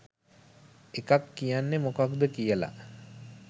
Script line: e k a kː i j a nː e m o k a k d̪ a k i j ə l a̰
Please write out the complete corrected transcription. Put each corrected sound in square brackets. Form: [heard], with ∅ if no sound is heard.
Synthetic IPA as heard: e k a kː i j a nː e m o k a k d̪ [ə] k i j ə l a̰